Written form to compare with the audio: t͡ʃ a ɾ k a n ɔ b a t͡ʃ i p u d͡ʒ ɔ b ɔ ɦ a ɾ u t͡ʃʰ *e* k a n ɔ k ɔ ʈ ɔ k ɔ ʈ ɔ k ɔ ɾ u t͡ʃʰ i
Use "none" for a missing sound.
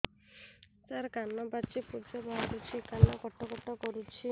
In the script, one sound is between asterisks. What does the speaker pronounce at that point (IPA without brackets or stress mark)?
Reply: i